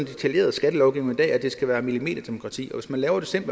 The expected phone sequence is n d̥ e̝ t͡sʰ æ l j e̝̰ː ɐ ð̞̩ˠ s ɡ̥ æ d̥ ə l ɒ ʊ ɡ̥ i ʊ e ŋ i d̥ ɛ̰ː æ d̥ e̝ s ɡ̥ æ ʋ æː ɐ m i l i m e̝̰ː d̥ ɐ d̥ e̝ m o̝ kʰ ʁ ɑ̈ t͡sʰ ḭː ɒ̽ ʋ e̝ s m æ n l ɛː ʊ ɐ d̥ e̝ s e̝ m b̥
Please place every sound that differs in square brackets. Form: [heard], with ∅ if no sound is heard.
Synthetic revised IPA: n d̥ e̝ t͡sʰ æ l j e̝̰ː ɐ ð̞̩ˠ s ɡ̥ æ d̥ ə l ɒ ʊ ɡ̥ i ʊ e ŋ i d̥ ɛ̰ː æ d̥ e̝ s ɡ̥ æ ʋ æː ɐ m i l i m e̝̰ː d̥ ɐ d̥ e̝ m o̝ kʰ ʁ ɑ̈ t͡sʰ ḭː ɒ̽ ʋ e̝ s m æ n l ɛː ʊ ɐ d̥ e̝ s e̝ m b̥